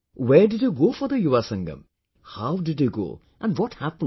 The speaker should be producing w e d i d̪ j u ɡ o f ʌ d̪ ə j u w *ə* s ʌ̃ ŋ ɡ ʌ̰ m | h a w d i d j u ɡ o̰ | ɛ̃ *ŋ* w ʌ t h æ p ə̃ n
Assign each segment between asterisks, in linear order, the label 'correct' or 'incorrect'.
incorrect: a, incorrect: n

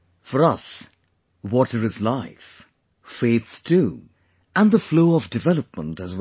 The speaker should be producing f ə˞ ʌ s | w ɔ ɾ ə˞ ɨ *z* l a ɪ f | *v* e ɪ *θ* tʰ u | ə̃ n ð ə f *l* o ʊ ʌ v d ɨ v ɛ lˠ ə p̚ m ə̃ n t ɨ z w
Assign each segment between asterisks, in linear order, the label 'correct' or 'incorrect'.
correct, incorrect: f, correct, correct

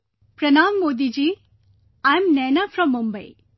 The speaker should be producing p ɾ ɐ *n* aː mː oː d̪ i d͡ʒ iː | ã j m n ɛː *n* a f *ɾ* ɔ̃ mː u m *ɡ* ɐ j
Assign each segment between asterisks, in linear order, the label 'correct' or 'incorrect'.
correct, correct, correct, incorrect: b

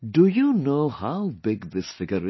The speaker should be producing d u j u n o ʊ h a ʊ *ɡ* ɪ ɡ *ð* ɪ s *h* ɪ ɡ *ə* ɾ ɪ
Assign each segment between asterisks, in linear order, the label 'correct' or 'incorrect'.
incorrect: b, correct, incorrect: f, correct

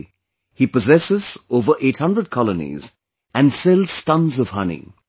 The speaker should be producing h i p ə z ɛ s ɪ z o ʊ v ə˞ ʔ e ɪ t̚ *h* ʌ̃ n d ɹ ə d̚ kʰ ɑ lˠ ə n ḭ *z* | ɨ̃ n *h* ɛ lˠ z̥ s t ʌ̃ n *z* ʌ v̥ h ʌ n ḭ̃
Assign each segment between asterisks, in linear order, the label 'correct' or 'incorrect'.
correct, correct, incorrect: s, correct

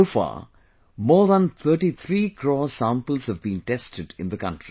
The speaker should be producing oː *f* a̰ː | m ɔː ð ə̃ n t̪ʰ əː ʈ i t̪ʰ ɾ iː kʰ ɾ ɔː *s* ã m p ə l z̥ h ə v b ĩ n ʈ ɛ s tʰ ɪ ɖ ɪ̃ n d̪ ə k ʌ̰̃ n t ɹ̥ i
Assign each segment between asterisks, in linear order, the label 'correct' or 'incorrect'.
correct, correct

